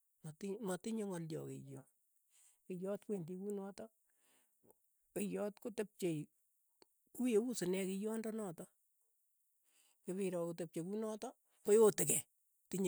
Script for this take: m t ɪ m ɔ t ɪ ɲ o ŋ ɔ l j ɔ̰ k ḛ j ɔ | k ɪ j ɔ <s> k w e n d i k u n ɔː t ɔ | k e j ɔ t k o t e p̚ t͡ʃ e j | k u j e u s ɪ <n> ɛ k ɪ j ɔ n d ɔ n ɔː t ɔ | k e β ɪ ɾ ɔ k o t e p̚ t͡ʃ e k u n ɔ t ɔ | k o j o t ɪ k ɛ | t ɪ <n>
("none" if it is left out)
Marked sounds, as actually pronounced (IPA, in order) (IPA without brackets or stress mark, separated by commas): t, n, ɲ